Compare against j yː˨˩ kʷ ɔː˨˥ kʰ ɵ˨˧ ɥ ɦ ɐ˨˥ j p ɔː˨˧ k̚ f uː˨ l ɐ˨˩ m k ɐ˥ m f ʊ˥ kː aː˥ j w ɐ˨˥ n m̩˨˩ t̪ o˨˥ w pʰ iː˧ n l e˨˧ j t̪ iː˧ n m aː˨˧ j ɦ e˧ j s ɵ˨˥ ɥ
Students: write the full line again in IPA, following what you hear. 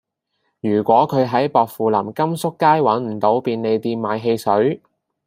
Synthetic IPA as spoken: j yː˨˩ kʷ ɔː˨˥ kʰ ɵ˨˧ ɥ ɦ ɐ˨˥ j p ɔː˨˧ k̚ f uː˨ l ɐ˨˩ m k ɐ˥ m s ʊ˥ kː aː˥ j w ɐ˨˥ n m̩˨˩ t̪ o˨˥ w p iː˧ n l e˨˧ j t̪ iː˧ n m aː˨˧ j ɦ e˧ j s ɵ˨˥ ɥ